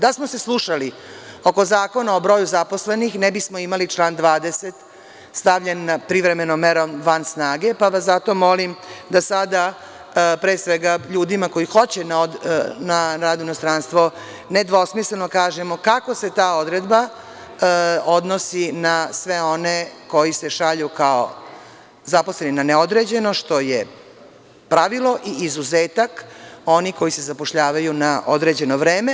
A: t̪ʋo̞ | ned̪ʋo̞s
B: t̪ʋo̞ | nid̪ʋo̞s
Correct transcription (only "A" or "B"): A